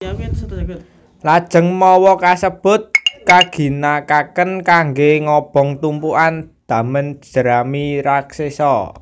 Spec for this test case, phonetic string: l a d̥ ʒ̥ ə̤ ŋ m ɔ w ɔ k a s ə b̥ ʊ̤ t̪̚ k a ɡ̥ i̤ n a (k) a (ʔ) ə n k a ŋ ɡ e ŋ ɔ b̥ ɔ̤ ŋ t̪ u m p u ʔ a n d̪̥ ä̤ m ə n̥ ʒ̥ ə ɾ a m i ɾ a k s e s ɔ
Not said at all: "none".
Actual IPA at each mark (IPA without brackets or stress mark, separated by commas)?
k, k